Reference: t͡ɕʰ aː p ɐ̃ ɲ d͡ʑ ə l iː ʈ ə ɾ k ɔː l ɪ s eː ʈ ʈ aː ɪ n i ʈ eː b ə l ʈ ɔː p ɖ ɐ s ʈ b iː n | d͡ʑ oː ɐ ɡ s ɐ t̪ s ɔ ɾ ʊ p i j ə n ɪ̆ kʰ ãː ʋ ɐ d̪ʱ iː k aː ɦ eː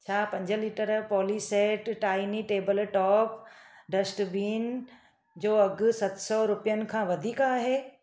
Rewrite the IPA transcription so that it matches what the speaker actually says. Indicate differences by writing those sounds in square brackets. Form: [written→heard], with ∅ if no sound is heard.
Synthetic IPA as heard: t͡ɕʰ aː p ɐ̃ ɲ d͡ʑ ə l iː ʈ ə ɾ [k→p] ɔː l [ɪ→i] s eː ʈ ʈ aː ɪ n i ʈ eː b ə l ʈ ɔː p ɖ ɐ s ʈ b iː n | d͡ʑ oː ɐ ɡ s ɐ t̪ s ɔ ɾ ʊ p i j ə n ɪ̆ kʰ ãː ʋ ɐ d̪ʱ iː k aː ɦ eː